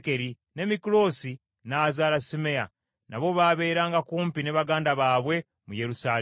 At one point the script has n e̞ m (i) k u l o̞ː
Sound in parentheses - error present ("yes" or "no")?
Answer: no